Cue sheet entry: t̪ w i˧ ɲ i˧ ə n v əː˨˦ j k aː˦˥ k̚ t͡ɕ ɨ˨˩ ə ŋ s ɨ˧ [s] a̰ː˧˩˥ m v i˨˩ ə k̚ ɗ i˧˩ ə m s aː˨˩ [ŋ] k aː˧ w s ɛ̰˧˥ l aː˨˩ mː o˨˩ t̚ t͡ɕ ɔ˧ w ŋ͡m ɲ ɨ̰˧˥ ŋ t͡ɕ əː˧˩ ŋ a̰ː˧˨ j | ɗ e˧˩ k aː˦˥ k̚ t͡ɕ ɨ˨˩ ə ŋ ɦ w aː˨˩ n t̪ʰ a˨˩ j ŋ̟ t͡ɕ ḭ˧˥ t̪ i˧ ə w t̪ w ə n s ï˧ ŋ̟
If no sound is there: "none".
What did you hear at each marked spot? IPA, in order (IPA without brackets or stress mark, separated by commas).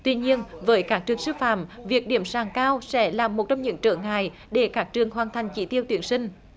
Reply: f, ŋ